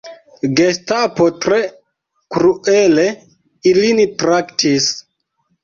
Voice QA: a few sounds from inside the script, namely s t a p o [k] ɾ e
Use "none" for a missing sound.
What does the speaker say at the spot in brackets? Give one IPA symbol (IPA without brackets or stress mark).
t